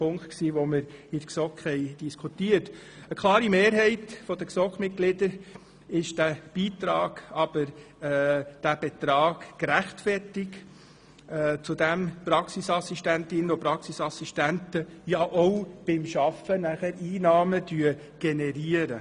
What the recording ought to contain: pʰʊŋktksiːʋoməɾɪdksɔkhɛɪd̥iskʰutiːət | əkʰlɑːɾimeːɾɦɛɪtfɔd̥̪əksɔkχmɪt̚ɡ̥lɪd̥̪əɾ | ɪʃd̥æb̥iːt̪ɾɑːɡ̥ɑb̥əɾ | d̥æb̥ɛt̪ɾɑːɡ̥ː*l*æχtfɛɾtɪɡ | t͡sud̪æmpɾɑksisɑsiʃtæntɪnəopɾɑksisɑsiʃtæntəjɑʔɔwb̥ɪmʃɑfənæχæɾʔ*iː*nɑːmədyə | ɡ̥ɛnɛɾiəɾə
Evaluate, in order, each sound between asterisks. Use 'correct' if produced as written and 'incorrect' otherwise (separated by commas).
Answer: incorrect, correct